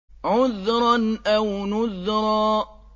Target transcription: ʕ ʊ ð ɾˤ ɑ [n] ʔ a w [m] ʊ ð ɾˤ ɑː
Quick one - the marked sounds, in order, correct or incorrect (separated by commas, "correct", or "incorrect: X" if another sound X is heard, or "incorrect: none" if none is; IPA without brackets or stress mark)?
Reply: correct, incorrect: n